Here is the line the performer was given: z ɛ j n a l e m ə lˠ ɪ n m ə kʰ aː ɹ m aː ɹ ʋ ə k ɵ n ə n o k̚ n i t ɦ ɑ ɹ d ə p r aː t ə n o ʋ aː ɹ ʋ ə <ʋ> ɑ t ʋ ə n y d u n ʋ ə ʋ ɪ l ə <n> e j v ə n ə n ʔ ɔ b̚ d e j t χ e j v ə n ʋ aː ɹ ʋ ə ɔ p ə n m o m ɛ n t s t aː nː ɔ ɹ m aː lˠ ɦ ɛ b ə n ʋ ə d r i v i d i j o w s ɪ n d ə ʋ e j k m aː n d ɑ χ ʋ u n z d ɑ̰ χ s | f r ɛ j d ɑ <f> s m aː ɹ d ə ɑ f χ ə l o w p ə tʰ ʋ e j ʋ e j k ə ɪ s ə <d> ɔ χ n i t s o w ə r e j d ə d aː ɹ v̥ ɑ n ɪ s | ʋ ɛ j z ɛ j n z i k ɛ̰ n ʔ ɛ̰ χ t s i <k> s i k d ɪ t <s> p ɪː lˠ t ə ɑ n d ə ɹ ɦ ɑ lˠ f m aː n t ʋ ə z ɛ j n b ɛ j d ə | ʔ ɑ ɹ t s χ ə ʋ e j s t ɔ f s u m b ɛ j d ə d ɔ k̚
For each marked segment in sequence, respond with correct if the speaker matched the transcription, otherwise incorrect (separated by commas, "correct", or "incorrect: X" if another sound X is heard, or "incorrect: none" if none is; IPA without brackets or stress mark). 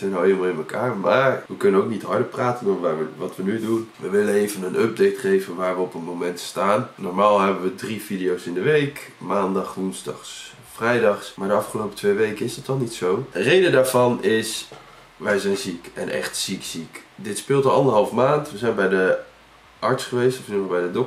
correct, correct, incorrect: χ, incorrect: t, correct, correct